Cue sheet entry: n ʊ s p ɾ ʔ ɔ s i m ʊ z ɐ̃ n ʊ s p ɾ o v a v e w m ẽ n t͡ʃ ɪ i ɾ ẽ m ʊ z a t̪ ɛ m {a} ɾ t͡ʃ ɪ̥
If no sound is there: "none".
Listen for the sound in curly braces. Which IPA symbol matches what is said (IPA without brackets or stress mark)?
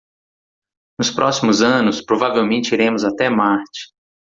a